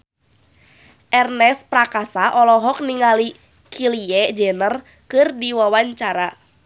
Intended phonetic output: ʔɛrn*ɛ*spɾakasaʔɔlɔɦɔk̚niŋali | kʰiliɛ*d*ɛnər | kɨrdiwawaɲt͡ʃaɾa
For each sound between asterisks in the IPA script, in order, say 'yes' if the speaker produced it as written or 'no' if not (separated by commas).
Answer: yes, no